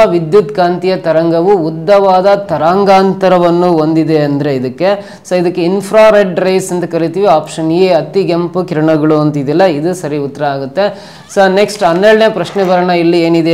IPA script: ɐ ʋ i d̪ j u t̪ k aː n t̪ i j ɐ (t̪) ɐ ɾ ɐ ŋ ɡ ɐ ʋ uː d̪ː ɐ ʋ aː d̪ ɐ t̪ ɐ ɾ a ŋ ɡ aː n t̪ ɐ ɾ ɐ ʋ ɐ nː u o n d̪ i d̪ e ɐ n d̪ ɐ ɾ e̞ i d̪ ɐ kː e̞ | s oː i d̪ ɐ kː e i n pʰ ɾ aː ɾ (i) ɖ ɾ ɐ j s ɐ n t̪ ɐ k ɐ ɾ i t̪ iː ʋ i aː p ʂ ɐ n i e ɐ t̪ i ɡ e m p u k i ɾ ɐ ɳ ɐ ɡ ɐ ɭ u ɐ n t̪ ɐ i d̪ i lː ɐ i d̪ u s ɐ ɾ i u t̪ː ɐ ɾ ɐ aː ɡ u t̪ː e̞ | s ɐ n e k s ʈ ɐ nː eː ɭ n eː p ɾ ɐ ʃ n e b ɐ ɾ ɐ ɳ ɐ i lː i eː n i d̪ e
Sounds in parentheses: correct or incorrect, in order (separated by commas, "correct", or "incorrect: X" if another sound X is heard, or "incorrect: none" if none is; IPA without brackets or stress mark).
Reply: correct, incorrect: e